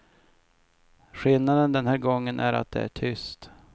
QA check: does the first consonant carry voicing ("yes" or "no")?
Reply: no